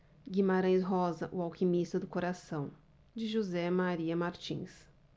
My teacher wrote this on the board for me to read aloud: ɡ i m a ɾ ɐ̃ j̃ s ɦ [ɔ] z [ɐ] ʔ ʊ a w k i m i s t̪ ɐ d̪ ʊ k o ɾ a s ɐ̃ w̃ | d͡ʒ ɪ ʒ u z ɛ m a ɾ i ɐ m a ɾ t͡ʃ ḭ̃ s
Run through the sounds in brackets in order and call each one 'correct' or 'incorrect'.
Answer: correct, correct

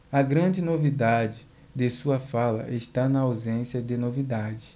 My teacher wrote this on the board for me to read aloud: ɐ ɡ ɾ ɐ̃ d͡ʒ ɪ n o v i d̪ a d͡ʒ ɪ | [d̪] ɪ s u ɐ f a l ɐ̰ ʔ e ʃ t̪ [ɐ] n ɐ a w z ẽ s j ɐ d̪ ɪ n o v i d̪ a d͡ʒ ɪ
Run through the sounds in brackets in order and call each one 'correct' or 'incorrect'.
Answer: correct, incorrect

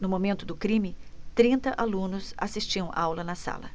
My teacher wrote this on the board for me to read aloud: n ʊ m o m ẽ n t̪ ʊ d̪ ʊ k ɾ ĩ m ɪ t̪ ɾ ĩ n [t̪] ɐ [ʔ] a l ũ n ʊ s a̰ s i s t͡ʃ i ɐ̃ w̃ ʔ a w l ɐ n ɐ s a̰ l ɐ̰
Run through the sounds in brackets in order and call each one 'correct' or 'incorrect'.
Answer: correct, correct

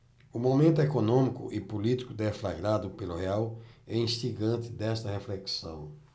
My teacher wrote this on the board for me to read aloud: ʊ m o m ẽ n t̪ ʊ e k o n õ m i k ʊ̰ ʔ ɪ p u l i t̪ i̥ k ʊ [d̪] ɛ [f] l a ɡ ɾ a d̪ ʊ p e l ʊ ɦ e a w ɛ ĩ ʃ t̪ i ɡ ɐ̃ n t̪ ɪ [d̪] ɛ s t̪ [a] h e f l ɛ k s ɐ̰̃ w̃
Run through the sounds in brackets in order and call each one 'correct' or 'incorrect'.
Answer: correct, correct, correct, incorrect

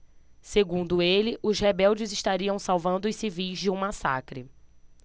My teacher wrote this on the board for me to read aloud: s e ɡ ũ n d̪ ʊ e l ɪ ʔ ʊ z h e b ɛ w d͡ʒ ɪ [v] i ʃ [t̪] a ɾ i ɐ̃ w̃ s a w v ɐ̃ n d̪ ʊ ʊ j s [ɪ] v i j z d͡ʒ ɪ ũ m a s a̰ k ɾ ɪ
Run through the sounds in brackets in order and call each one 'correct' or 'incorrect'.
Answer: incorrect, correct, incorrect

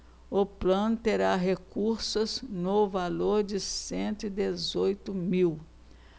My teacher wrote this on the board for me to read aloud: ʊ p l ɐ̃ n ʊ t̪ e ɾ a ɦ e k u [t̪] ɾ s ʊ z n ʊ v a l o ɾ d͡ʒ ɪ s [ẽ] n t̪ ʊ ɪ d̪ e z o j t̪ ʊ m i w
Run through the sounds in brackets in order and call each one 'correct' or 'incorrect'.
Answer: incorrect, correct

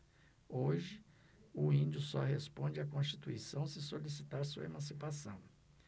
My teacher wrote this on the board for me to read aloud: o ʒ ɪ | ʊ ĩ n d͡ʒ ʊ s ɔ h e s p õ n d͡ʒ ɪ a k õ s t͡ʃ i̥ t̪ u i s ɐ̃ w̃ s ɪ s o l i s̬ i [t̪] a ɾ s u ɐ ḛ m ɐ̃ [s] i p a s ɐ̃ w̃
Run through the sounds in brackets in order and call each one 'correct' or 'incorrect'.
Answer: correct, correct

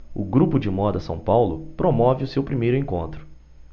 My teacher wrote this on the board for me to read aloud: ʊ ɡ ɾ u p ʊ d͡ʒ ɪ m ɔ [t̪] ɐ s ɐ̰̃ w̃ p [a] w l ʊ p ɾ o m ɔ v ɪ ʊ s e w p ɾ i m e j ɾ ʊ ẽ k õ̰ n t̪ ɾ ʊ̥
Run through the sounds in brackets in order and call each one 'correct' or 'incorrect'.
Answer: incorrect, correct

